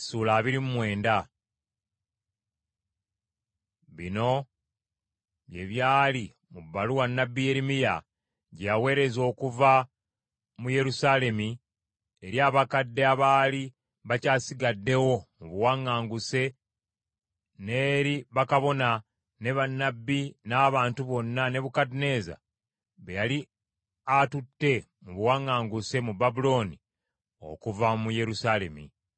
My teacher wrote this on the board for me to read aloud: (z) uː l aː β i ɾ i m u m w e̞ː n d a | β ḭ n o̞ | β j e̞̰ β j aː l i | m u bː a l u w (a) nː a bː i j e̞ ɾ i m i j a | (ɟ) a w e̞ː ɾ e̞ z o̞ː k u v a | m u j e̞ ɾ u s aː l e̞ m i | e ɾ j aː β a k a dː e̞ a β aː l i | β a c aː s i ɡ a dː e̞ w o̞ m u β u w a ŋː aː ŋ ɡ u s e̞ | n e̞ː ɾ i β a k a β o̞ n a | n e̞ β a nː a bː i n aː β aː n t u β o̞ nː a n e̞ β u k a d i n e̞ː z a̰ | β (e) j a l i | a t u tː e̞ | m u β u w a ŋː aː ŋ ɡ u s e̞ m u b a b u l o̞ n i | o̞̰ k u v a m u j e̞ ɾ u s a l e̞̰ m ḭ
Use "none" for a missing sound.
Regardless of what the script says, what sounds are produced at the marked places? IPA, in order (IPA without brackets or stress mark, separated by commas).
s, a, ɟ, e